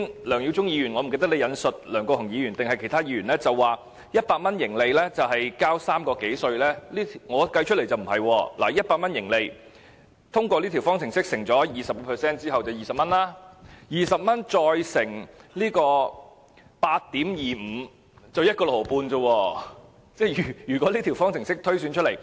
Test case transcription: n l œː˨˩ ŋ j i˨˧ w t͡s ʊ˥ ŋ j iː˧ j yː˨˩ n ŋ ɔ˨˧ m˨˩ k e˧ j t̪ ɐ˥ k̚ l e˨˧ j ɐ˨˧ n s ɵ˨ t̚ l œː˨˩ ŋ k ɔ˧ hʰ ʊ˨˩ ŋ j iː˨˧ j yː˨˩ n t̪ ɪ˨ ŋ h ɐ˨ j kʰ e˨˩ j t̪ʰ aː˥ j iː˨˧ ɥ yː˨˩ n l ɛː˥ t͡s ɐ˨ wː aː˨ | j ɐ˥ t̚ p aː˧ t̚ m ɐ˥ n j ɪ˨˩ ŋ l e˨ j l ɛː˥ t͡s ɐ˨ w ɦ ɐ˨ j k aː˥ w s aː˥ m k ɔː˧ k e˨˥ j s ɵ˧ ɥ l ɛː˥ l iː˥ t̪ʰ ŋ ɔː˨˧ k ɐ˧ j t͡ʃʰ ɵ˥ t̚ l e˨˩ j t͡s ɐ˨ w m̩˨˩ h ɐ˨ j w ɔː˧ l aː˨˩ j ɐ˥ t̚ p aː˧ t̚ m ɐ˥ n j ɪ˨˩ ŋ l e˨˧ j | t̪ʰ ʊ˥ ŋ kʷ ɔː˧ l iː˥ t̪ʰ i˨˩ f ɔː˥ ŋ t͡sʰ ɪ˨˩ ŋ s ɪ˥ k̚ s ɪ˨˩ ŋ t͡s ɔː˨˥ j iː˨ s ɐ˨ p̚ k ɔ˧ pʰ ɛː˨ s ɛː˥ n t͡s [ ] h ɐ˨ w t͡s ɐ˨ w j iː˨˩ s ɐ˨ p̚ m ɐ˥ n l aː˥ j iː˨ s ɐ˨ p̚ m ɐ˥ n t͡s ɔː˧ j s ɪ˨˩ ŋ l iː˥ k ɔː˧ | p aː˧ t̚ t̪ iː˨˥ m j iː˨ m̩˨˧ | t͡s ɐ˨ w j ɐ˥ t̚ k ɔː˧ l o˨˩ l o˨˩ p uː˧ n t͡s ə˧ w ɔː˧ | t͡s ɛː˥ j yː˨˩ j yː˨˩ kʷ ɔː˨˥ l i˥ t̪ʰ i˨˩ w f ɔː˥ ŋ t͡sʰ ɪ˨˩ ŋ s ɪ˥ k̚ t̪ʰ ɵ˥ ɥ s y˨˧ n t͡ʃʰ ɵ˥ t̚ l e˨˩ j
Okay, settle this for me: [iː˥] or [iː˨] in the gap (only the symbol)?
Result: iː˥